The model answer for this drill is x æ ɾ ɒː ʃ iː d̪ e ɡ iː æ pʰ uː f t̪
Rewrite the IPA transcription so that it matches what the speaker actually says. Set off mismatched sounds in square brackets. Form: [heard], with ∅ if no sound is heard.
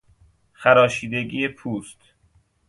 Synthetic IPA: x æ ɾ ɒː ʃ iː d̪ e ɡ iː [e] pʰ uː [s] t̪